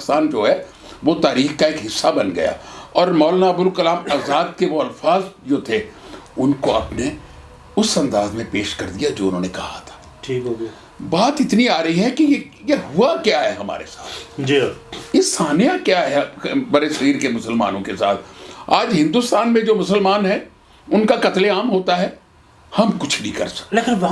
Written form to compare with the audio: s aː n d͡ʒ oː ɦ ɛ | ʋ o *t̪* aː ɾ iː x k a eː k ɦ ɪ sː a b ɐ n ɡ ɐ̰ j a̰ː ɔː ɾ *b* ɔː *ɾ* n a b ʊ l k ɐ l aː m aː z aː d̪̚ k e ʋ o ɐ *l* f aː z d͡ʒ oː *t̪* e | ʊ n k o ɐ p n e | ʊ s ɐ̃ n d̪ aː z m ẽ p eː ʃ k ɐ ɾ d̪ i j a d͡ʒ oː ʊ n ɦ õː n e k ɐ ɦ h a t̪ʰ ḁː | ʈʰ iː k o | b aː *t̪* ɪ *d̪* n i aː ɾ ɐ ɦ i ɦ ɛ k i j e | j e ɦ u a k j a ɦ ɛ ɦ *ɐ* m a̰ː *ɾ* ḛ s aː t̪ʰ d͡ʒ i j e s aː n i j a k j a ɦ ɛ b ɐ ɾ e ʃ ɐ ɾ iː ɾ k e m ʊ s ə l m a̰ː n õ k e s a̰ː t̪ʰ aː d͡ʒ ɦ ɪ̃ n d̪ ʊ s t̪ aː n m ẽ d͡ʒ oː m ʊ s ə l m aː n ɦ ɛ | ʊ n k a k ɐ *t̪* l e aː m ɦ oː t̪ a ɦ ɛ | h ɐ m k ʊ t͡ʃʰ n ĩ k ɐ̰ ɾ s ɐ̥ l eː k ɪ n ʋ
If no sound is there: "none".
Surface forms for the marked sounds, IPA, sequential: t̪, m, l, l, t̪ʰ, t̪, t̪, ɐ, ɾ, t̪

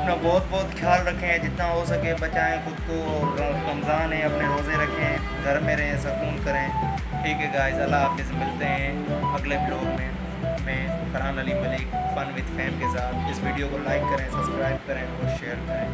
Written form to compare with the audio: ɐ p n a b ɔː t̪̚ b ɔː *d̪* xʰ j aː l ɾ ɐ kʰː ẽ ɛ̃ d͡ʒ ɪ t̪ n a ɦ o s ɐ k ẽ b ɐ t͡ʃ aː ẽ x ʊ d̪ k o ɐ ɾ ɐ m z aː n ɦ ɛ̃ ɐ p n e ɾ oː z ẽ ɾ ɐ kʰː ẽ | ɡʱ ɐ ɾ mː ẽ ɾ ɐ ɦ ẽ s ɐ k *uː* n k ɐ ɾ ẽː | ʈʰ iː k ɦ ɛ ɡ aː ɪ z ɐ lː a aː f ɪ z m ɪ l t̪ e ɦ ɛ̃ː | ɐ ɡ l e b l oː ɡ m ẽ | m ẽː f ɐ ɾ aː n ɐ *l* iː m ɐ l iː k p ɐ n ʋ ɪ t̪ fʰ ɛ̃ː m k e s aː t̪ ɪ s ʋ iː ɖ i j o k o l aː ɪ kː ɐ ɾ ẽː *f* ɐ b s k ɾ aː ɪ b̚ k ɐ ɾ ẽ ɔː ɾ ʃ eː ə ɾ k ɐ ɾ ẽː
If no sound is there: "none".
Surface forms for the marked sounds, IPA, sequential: t̪, uː, l, s

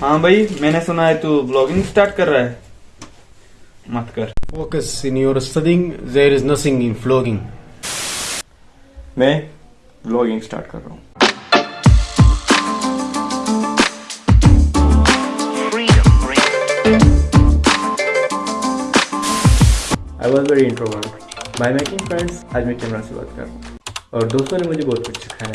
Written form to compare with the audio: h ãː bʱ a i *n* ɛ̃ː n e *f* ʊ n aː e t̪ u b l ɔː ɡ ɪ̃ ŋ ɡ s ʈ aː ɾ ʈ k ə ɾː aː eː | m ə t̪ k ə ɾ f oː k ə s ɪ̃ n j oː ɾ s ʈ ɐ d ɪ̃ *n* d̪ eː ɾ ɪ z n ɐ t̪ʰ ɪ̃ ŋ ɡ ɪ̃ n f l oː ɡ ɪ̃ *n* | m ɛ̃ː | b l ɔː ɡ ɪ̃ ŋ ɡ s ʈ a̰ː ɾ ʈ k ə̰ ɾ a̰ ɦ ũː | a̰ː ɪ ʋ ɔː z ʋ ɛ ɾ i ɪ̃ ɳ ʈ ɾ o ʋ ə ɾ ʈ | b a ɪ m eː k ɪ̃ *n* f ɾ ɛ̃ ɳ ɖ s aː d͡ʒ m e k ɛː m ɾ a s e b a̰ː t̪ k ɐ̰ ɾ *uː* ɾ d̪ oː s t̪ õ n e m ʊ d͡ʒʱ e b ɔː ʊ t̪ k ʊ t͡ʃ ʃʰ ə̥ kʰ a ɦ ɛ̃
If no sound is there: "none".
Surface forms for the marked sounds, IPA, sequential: m, s, ŋ, ŋ, ŋ, ɔː

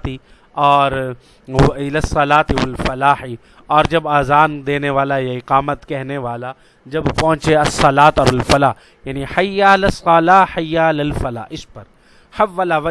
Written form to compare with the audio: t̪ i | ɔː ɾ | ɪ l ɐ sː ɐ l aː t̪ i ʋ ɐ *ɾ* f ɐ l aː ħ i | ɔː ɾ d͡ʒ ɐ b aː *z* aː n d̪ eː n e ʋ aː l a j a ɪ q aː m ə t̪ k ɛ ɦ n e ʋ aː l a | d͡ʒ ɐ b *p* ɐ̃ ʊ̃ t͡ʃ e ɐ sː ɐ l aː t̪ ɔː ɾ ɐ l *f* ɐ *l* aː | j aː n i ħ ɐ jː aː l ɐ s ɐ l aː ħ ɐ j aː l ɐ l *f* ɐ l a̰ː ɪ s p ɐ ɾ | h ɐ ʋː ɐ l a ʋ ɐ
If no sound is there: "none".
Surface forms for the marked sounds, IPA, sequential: l, z, p, f, l, f

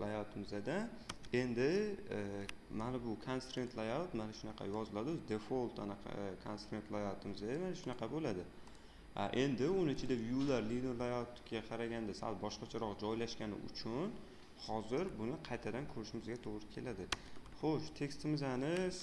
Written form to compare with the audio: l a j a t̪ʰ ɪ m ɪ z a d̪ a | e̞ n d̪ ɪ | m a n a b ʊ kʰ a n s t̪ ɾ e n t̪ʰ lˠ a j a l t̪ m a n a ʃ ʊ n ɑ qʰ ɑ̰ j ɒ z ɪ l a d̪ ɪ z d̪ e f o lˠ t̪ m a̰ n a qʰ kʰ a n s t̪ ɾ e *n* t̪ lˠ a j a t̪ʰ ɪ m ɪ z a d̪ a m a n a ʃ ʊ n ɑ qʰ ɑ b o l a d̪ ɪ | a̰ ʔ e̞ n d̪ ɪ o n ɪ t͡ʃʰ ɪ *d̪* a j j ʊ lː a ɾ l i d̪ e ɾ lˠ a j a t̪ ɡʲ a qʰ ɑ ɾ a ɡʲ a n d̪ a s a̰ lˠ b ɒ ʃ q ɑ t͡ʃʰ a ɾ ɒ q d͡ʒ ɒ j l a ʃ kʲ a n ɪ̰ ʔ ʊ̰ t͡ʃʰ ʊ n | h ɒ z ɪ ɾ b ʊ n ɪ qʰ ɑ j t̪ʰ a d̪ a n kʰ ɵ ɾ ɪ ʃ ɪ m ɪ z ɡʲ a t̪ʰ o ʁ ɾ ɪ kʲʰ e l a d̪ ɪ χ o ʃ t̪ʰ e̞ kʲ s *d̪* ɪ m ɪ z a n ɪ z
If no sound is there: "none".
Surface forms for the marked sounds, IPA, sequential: n, d̪, t̪

